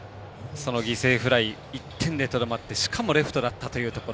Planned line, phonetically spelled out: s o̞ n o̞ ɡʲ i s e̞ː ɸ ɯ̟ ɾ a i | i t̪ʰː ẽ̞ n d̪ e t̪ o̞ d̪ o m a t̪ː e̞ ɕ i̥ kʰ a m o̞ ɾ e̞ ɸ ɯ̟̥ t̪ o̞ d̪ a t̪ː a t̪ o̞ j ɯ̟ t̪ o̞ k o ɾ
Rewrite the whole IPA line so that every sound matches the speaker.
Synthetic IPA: s o̞ n o̞ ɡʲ i s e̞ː ɸ ɯ̟ ɾ a i | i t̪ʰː ẽ̞ n d̪ e t̪ o̞ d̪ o m a t̪ː e̞ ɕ i̥ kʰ a m o̞ ɾ e̞ ɸ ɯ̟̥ t̪ o̞ d̪ a t̪ː a t̪ o̞ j ɯ̟ː t̪ o̞ k o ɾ